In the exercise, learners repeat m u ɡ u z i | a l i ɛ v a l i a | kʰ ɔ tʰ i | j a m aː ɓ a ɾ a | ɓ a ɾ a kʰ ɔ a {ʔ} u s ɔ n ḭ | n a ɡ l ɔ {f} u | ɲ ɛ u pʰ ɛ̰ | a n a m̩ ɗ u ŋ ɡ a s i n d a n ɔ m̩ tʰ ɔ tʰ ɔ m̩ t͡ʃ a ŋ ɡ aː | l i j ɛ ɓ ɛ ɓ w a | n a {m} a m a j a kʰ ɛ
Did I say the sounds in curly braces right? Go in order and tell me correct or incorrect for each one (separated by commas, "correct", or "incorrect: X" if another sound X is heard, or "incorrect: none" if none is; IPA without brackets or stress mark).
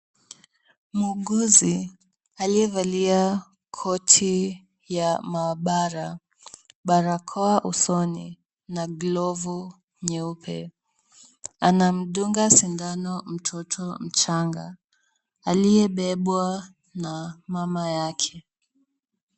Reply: correct, incorrect: v, correct